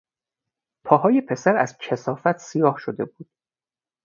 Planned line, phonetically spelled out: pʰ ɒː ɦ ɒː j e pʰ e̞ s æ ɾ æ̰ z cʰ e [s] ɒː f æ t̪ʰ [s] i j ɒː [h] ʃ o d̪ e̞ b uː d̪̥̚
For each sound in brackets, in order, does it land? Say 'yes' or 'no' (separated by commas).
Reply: yes, yes, yes